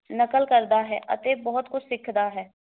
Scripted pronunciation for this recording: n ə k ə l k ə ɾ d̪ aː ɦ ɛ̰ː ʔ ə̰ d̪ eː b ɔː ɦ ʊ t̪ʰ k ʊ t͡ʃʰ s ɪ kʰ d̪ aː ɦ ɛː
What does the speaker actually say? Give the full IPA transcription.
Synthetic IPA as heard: n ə k ə l k ə ɾ d̪ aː ɦ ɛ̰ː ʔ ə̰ t̪ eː b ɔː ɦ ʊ t̪ k ʊ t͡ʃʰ s ɪ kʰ d̪ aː ɦ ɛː